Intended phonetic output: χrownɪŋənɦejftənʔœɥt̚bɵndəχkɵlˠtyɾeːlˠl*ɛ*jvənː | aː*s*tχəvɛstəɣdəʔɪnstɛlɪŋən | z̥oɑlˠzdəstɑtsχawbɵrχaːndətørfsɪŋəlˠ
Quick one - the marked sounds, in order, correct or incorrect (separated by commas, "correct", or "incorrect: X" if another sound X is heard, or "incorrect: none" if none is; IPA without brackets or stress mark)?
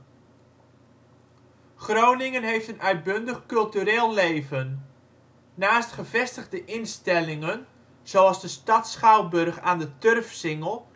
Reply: incorrect: e, correct